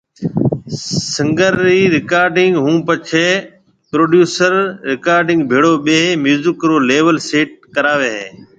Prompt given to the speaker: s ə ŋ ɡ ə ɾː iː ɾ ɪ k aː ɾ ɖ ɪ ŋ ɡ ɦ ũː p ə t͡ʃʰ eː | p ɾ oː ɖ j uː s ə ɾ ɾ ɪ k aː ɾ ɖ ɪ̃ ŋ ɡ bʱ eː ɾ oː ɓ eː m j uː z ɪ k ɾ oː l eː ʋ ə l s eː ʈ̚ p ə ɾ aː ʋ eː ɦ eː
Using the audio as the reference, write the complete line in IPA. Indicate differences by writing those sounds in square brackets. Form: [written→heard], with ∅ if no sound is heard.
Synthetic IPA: s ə ŋ ɡ ə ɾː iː ɾ ɪ k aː ɾ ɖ ɪ ŋ ɡ ɦ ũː p ə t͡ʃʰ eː | p ɾ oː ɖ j uː s ə ɾ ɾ ɪ k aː ɾ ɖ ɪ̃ ŋ ɡ bʱ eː [ɾ→ɽ] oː ɓ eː m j uː z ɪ k ɾ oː l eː ʋ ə l s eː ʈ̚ [p→k] ə ɾ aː ʋ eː ɦ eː

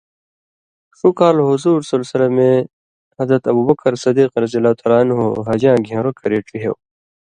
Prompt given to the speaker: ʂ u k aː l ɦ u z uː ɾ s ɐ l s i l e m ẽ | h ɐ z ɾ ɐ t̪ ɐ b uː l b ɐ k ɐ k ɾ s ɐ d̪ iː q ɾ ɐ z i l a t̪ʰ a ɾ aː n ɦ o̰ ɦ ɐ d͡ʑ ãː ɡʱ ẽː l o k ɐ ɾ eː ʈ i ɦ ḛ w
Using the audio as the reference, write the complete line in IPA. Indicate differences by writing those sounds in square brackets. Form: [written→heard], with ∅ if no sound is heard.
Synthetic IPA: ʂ u k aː l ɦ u z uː ɾ s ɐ l s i l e m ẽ | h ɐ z ɾ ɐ t̪ ɐ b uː [l→∅] b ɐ k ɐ [k→∅] ɾ s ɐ d̪ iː q ɾ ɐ z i l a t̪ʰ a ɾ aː n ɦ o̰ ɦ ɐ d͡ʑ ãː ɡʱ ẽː [l→ɾ] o k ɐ ɾ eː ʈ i ɦ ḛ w

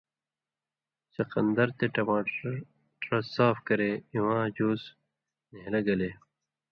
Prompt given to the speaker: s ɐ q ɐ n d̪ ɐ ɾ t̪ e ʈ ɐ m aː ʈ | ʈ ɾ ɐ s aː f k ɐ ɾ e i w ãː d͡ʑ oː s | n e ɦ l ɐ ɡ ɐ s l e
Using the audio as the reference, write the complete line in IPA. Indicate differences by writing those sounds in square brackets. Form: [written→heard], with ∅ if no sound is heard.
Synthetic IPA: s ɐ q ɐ n d̪ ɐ ɾ t̪ e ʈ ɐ m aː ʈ | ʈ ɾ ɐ s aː f k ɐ ɾ e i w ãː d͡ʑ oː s | n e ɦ l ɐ ɡ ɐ [s→∅] l e

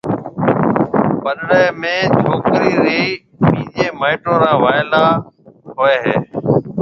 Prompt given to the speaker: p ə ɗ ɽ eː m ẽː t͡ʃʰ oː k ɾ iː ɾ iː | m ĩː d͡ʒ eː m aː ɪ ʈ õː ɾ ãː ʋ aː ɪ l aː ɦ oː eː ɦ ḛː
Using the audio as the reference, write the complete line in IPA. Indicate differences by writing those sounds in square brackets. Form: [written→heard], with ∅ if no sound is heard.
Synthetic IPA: p ə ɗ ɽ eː m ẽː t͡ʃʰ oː k ɾ iː ɾ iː | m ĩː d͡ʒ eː m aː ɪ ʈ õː ɾ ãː ʋ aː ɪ l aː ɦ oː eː ɦ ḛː

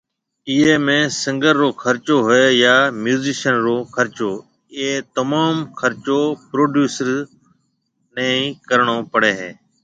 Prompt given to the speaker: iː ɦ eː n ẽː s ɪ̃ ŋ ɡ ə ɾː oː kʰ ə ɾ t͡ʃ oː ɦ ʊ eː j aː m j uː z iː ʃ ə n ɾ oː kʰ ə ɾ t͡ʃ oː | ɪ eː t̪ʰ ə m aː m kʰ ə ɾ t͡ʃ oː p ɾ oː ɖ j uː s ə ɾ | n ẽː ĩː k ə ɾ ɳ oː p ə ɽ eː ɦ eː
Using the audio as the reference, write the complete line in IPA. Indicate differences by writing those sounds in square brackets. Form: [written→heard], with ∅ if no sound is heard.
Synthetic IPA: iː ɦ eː [n→m] ẽː s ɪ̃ ŋ ɡ ə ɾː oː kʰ ə ɾ t͡ʃ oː ɦ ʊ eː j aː m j uː z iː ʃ ə n ɾ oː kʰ ə ɾ t͡ʃ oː | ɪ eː [t̪ʰ→t̪] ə m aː m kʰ ə ɾ t͡ʃ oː p ɾ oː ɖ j uː s ə ɾ | n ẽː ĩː k ə ɾ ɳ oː p ə ɽ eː ɦ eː

